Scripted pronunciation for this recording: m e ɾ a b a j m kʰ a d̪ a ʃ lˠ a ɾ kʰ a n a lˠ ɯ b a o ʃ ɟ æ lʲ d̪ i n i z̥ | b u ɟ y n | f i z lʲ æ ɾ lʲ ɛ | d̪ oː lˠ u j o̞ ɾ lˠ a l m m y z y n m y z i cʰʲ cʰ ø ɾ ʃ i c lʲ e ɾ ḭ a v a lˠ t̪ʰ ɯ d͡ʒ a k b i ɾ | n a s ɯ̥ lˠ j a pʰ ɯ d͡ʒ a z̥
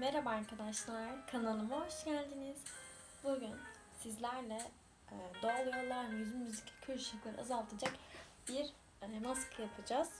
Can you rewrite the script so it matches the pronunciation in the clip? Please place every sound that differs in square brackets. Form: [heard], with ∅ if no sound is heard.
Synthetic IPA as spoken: m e ɾ a b a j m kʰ a d̪ a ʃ lˠ a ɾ kʰ a n a lˠ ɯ [m] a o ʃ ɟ æ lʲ d̪ i n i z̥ | b u ɟ y n | [s] i z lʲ æ ɾ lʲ ɛ | d̪ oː lˠ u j o̞ ɾ lˠ a [ɾ] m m y z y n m y z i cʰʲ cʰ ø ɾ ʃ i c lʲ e ɾ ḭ a [z] a lˠ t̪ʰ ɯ d͡ʒ a k b i ɾ | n a s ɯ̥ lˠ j a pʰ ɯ d͡ʒ a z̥